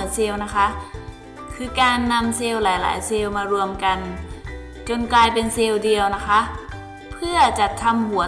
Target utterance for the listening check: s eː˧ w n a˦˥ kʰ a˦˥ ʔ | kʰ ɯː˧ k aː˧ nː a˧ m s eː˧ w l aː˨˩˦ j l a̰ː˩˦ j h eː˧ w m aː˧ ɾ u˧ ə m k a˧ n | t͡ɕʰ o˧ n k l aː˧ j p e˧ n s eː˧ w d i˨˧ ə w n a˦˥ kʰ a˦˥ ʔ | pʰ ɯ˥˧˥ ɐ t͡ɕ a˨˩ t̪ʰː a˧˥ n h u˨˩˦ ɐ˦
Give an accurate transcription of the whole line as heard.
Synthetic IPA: s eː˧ w n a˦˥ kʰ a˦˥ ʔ | kʰ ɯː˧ k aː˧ nː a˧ m s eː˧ w l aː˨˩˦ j l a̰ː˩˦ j s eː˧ w m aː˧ ɾ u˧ ə m k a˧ n | t͡ɕ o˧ n k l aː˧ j p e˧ n s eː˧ w d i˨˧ ə w n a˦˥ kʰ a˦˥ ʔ | pʰ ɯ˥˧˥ ɐ t͡ɕ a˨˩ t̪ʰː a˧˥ m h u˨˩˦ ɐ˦